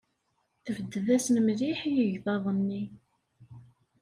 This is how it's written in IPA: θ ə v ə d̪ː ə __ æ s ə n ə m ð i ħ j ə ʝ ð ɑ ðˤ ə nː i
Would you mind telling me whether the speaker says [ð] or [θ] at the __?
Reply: ð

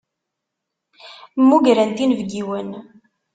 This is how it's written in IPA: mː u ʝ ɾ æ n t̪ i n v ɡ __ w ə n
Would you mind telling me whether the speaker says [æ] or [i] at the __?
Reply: i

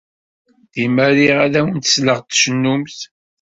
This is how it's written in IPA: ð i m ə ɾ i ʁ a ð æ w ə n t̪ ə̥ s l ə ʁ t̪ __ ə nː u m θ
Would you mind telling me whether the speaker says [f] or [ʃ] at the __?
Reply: ʃ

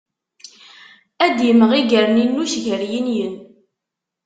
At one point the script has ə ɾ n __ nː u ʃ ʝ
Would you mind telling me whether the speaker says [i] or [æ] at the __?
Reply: i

